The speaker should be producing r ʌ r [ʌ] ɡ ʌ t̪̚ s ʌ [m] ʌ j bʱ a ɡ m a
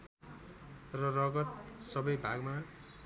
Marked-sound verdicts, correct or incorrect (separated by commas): correct, incorrect